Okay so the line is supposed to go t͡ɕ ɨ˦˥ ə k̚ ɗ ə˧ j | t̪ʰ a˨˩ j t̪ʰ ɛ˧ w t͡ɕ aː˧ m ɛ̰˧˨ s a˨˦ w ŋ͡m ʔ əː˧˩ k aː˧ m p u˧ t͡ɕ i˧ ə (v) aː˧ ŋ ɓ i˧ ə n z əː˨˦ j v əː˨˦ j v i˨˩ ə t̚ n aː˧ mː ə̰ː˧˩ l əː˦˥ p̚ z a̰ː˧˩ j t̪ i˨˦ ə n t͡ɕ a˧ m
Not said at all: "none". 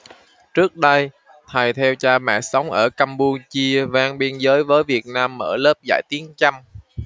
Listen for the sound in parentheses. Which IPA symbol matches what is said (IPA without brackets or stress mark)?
v